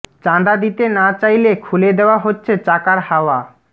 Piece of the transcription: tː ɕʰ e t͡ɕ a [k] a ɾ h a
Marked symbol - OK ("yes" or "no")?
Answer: yes